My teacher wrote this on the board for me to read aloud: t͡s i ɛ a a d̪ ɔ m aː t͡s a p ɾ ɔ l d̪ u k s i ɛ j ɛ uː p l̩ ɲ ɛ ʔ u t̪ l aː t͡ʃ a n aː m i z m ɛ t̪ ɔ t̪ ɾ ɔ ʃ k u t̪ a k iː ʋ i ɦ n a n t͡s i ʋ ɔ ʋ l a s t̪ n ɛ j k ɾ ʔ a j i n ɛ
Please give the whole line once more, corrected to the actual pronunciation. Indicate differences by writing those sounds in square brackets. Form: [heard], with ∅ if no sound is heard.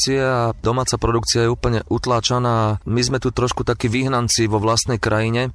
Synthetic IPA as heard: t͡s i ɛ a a d̪ ɔ m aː t͡s a p ɾ ɔ [∅] d̪ u k [t͡s] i [a] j ɛ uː p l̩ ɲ ɛ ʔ u t̪ l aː t͡ʃ a n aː m i z m ɛ t̪ [u] t̪ ɾ ɔ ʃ k u t̪ a k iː ʋ i ɦ n a n t͡s i ʋ ɔ ʋ l a s t̪ n ɛ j k ɾ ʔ a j i [ɲ] ɛ